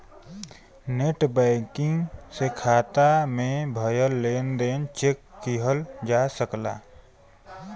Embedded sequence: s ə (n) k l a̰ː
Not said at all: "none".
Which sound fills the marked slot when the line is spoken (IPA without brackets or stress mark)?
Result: none